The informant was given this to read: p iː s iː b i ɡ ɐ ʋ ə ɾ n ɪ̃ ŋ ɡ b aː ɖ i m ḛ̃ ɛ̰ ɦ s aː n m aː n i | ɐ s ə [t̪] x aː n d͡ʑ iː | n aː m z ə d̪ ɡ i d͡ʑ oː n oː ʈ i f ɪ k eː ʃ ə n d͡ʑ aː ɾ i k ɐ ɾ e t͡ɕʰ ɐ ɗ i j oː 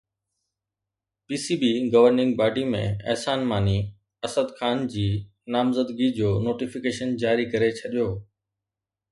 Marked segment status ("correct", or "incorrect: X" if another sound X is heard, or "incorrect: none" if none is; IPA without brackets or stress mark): incorrect: d̪